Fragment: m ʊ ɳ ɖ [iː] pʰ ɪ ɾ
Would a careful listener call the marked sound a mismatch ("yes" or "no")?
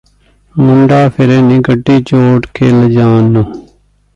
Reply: yes